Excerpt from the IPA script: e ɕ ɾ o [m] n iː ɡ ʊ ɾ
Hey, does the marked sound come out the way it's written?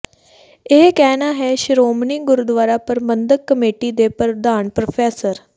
yes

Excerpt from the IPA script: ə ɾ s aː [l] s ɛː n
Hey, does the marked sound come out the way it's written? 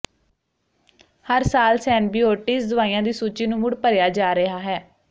yes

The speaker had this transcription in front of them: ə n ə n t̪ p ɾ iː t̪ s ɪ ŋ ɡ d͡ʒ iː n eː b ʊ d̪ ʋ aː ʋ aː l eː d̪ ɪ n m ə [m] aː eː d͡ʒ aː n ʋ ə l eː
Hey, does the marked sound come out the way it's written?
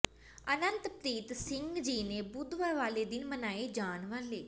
no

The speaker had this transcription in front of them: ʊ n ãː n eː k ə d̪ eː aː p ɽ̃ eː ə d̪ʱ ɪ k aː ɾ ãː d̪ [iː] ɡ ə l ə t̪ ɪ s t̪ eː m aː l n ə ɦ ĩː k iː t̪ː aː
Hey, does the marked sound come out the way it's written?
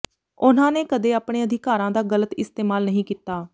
no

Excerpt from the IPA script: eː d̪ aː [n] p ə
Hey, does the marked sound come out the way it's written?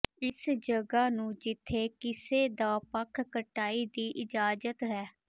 no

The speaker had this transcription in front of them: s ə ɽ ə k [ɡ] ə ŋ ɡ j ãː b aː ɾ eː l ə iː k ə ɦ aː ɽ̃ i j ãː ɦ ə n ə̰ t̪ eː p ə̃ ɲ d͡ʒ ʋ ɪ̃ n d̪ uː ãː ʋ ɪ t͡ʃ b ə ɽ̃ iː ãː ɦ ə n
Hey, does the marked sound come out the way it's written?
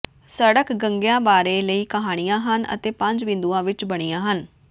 yes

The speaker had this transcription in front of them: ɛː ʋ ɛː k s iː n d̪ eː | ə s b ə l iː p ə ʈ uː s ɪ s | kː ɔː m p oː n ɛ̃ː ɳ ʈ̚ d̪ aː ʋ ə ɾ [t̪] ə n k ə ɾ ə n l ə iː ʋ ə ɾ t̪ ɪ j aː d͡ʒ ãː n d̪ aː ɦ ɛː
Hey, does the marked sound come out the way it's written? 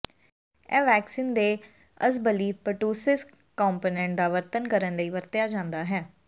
yes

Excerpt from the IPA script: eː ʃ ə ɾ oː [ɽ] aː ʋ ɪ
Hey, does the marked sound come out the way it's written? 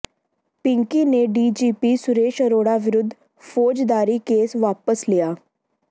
yes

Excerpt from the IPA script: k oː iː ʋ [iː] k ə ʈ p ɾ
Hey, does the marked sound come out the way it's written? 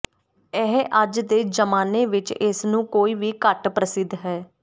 yes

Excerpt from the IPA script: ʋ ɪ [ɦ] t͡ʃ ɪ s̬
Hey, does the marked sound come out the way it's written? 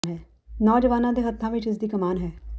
no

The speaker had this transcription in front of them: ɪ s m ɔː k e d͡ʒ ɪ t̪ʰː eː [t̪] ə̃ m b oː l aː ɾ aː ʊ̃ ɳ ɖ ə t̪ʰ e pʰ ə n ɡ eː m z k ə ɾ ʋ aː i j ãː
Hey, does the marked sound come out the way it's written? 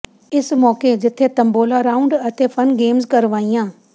yes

